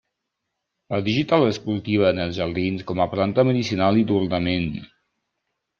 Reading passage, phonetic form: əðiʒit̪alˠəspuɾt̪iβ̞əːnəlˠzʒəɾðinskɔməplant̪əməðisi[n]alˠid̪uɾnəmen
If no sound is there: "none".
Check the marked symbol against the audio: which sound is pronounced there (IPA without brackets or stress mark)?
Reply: n